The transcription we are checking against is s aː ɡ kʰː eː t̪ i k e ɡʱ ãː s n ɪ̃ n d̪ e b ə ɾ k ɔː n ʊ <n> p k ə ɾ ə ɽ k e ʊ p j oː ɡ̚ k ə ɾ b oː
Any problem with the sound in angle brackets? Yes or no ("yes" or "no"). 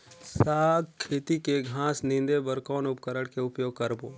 yes